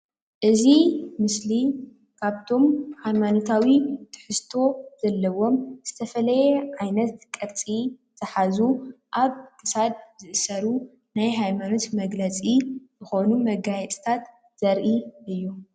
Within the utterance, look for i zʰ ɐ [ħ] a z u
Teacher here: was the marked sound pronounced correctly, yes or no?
yes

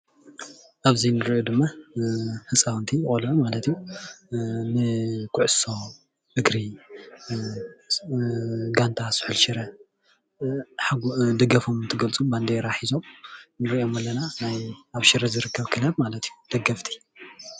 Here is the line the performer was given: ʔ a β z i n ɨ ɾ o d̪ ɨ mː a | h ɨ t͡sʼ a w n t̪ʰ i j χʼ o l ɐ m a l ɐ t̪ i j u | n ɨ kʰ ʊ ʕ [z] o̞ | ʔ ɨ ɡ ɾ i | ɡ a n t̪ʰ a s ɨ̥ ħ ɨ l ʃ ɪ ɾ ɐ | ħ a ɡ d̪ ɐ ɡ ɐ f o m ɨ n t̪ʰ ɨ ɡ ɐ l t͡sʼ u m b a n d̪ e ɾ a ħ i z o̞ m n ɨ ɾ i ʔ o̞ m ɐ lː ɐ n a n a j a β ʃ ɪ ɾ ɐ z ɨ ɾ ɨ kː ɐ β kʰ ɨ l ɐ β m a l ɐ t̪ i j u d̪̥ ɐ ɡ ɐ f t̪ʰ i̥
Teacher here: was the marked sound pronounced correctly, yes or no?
no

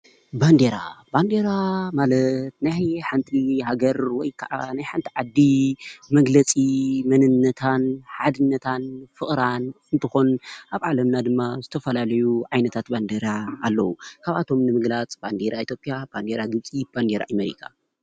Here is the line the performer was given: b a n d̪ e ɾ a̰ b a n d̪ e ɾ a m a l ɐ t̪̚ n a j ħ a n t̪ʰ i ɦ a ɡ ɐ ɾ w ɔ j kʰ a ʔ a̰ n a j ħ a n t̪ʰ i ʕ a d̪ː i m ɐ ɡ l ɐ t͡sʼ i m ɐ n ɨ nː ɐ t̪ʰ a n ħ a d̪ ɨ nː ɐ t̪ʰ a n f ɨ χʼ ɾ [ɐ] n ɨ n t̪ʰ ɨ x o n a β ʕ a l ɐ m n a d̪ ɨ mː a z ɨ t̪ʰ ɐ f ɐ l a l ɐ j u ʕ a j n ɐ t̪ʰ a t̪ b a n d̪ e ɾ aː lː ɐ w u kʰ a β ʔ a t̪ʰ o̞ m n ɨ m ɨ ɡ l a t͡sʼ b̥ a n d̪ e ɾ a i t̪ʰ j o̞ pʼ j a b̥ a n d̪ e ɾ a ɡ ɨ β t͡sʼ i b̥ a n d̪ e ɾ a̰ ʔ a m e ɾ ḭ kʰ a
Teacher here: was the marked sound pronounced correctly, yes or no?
no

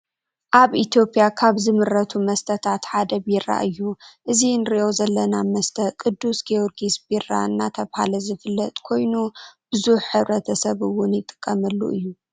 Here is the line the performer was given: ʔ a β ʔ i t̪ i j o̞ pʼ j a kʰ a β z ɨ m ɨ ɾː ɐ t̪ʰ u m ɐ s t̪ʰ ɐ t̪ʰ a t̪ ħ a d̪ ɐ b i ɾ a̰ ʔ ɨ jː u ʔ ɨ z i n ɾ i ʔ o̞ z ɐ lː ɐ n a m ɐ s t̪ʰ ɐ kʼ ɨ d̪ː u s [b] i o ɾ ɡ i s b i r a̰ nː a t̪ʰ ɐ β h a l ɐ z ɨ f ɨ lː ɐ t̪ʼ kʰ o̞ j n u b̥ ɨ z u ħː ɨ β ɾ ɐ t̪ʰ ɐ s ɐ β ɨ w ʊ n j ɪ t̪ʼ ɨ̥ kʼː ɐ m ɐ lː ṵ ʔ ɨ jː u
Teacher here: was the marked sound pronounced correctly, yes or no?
no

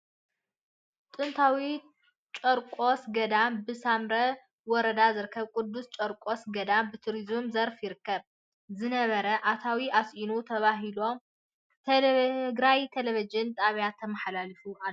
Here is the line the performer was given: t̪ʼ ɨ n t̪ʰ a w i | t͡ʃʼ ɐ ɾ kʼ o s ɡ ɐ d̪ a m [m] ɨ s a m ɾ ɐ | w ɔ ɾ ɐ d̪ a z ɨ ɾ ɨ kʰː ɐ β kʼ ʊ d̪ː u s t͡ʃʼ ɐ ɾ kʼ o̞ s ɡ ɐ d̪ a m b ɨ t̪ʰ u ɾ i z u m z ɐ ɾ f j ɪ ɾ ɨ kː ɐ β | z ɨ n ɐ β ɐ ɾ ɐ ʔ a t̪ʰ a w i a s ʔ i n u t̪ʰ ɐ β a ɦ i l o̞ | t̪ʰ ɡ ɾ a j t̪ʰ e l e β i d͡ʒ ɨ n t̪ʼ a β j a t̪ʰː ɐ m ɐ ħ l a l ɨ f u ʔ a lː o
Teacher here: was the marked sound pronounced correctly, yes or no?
no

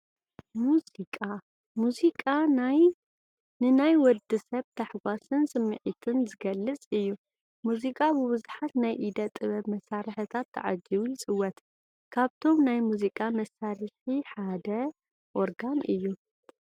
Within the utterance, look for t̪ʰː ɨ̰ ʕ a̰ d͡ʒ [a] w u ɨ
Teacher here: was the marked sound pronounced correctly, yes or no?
no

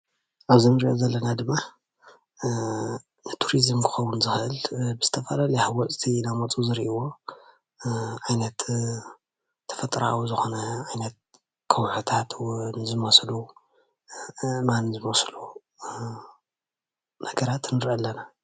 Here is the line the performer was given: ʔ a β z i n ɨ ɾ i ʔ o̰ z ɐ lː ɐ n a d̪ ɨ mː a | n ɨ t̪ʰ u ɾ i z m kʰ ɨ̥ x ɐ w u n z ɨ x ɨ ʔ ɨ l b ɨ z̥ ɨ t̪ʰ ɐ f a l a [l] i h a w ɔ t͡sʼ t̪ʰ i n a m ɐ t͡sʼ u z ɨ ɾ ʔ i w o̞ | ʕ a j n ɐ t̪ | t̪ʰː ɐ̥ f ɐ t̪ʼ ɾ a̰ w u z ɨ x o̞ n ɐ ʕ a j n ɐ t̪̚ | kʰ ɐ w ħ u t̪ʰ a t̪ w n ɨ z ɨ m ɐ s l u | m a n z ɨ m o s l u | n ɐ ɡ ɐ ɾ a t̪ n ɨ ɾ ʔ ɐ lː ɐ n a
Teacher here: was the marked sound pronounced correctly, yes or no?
yes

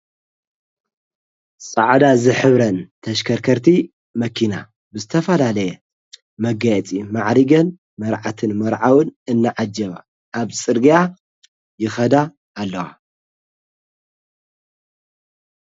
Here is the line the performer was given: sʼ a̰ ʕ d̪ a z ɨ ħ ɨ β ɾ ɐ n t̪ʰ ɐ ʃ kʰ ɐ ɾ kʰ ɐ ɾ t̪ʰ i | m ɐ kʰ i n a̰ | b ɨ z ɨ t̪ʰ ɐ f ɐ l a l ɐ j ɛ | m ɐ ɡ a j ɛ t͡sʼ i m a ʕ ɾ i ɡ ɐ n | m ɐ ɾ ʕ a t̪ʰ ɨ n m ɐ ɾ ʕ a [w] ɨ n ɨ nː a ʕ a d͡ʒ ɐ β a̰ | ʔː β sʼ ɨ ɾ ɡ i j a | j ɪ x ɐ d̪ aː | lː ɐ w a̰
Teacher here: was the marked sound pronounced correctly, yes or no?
yes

